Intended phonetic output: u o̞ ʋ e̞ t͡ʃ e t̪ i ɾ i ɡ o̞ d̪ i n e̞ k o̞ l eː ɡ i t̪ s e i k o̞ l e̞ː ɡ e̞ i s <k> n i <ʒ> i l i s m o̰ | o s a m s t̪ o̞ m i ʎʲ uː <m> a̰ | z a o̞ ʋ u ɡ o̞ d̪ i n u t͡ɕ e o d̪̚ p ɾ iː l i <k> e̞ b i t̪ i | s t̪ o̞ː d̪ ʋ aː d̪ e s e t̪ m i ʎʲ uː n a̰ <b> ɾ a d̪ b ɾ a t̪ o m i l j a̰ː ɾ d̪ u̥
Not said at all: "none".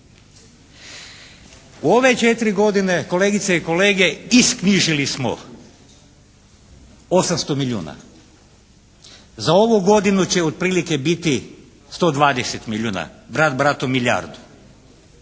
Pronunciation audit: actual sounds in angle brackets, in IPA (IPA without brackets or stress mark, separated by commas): k, ʒ, n, k, b